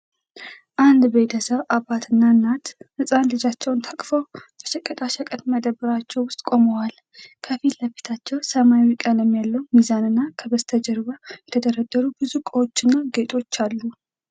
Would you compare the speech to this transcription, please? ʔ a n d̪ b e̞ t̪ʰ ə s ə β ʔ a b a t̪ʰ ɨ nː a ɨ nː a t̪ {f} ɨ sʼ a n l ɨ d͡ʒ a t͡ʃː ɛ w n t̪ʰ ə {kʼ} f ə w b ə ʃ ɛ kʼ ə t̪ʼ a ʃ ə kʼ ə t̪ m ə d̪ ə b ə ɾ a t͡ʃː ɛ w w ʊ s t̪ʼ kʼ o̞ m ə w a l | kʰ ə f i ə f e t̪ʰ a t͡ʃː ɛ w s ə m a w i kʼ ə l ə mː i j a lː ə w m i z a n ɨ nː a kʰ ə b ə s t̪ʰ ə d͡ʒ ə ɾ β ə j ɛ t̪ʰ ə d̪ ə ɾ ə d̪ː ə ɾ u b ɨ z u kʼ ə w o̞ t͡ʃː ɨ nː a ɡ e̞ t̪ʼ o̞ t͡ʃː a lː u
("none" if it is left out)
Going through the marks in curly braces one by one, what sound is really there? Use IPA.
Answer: h, kʼ

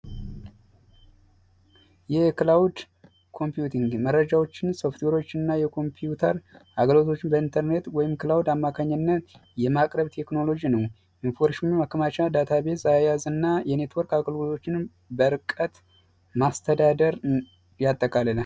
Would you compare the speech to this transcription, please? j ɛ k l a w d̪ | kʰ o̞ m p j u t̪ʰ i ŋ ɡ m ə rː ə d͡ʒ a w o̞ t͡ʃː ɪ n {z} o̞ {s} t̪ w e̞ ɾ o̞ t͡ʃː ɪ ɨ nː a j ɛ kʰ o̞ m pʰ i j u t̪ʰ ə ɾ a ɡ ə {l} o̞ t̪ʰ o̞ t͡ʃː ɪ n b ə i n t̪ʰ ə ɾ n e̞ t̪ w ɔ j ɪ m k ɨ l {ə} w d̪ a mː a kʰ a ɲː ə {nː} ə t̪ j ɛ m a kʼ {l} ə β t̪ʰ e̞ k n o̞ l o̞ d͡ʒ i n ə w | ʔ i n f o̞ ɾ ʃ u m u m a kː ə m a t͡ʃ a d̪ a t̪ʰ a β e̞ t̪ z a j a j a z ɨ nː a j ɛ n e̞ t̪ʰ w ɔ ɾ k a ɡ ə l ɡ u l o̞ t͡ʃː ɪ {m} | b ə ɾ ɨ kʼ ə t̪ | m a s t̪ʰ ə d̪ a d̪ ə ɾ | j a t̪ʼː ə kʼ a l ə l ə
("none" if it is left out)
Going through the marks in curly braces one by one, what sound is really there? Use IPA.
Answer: s, f, l, a, nː, ɾ, n

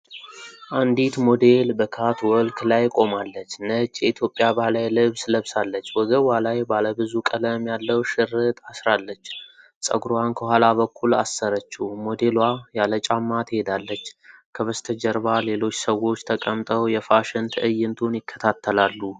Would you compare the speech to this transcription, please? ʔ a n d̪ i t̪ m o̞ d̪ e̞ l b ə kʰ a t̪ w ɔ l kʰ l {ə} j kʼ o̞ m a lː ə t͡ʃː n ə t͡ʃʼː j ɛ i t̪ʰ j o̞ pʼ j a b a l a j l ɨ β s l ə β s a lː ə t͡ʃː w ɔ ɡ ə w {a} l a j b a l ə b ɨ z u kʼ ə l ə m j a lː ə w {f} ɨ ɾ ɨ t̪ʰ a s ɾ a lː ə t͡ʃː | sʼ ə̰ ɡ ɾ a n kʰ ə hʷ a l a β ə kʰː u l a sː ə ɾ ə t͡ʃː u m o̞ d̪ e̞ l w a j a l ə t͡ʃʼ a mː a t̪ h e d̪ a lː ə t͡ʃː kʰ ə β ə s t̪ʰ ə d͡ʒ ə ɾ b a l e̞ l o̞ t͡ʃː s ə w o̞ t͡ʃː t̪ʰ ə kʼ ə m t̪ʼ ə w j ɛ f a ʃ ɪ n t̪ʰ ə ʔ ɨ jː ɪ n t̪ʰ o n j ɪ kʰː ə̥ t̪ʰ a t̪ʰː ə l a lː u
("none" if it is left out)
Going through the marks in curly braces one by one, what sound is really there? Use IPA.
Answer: a, a, ʃ

